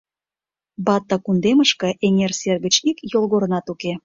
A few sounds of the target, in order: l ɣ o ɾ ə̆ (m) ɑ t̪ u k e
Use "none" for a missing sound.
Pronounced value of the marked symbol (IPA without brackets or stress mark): n